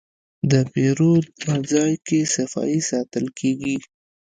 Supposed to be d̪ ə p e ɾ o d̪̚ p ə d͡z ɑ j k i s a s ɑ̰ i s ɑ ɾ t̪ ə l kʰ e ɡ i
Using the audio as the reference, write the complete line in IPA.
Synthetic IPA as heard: d̪ ə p e ɾ o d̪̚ p ə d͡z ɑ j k e s a f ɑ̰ i s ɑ t̪ ə l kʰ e ɡ i